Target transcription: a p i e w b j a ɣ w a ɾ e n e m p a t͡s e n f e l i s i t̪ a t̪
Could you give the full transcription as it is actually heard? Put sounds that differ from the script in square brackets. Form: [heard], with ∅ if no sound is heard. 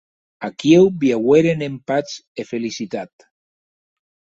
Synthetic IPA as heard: a [k] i e w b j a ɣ w [e] ɾ e n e m p a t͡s e [∅] f e l i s i t̪ a t̪

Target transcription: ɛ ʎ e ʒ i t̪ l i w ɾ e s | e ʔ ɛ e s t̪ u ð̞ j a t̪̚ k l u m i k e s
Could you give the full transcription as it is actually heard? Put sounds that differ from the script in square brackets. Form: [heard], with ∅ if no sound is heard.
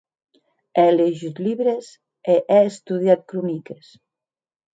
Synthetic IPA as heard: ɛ [l] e ʒ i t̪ l i [β] ɾ e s | e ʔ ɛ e s t̪ u ð̞ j a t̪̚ k [ɾ] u [n] i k e s

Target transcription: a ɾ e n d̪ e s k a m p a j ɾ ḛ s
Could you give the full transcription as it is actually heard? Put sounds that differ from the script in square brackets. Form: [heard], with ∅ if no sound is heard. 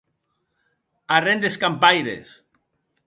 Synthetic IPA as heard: a [r] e n d̪ e s k a m p a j ɾ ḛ s

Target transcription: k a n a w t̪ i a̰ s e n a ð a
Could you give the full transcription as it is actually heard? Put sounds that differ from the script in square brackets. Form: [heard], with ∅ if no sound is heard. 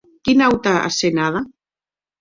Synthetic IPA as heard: k [i] n a w t̪ [a] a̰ s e n a ð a

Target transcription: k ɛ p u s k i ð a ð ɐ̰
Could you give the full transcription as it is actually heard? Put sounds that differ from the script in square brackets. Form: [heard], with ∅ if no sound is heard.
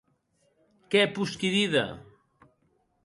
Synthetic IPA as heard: k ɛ p u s k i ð [i] ð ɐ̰

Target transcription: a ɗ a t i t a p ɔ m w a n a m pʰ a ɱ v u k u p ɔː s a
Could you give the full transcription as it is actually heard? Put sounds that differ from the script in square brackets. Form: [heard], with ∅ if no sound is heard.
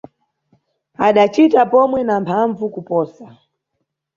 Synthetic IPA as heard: a ɗ a [t͡ʃ] i t a p ɔ m w [ɛ] n a m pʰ a ɱ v u k u p ɔː s a

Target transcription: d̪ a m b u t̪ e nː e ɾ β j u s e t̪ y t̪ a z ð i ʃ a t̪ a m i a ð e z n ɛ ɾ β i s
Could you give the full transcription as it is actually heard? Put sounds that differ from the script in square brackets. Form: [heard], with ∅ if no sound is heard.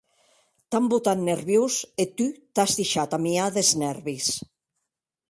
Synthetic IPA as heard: [t̪] a m b u t̪ [a] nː e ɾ β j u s e t̪ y t̪ a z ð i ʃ a t̪ a m i a ð e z n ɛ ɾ β i s

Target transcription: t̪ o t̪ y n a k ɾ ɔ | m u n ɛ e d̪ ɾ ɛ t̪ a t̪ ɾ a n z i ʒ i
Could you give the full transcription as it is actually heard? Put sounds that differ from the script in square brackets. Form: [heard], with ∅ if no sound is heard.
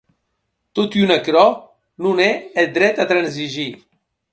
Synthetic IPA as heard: t̪ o t̪ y n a k ɾ ɔ | [n] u n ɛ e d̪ ɾ ɛ t̪ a t̪ ɾ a n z i ʒ i

